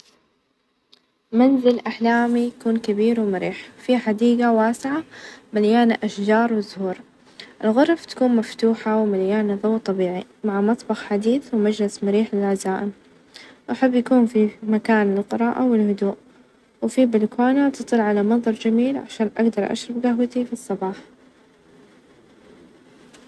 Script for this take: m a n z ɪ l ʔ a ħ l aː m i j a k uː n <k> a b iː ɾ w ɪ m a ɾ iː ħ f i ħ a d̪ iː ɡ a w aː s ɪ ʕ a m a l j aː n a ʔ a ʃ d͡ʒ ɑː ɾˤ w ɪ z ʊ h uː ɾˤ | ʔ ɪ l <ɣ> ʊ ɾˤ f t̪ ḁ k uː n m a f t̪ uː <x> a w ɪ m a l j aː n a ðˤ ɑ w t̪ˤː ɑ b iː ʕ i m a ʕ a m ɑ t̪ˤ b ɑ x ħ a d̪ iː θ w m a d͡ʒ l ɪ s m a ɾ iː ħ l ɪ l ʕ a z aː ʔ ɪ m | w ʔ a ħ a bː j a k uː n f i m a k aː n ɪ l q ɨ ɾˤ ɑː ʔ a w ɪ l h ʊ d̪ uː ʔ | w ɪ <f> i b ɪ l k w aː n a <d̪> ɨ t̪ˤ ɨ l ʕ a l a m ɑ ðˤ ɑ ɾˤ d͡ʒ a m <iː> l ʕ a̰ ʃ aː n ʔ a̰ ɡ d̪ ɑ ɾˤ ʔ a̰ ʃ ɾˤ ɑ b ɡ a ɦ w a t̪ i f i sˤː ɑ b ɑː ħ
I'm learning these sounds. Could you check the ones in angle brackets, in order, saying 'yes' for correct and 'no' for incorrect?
yes, yes, no, yes, no, yes

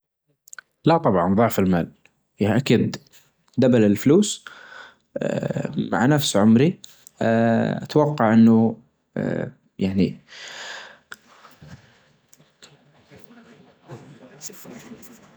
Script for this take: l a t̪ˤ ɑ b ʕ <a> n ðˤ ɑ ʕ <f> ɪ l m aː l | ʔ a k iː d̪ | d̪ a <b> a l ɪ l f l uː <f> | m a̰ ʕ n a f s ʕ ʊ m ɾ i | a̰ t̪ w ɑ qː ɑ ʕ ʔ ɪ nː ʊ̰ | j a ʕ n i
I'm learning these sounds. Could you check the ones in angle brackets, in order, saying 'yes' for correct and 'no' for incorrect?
no, yes, yes, no

